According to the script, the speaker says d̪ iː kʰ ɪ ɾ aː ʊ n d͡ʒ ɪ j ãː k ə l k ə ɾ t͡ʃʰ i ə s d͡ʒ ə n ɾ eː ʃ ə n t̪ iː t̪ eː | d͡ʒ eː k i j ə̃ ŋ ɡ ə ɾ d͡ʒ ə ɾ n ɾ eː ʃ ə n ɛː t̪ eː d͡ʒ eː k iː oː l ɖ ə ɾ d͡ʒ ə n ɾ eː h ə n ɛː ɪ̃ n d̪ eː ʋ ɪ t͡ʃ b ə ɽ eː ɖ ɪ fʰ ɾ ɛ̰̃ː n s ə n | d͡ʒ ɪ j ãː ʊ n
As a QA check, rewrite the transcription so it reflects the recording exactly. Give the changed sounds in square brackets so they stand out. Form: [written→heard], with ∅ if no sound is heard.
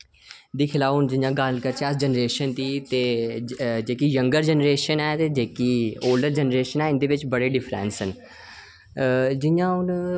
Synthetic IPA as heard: d̪ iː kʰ ɪ [ɾ→l] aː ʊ n d͡ʒ ɪ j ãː [k→ɡ] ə l k ə ɾ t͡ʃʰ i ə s d͡ʒ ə n ɾ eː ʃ ə n t̪ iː t̪ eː | d͡ʒ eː k i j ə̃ ŋ ɡ ə ɾ d͡ʒ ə [ɾ→∅] n ɾ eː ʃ ə n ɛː t̪ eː d͡ʒ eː k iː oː l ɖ ə ɾ d͡ʒ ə n ɾ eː [h→ʃ] ə n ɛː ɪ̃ n d̪ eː ʋ ɪ t͡ʃ b ə ɽ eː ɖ ɪ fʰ ɾ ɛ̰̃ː n s ə n | d͡ʒ ɪ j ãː ʊ n